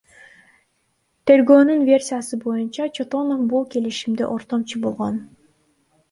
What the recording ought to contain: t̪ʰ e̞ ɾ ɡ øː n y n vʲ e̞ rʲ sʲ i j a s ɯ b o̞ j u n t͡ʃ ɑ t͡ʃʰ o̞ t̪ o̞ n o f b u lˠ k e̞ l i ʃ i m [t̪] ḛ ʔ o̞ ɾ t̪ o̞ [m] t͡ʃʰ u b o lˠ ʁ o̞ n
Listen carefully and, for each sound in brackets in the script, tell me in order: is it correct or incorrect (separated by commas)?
incorrect, correct